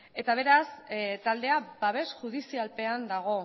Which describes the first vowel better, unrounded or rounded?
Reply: unrounded